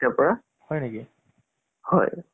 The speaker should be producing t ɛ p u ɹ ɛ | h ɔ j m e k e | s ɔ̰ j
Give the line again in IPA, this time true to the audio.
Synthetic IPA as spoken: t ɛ p ɔ ɹ a | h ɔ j n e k i | h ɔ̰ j